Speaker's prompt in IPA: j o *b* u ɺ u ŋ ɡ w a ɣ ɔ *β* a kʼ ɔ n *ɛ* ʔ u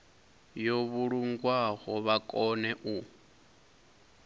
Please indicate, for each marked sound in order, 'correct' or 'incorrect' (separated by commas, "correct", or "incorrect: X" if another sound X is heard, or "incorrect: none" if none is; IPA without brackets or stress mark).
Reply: incorrect: β, correct, correct